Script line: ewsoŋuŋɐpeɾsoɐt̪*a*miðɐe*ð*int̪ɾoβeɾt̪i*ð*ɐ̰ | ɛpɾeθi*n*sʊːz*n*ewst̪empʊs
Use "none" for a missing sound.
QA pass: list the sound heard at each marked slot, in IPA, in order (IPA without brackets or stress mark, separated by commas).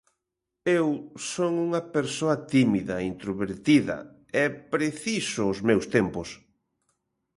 i, none, ð, none, m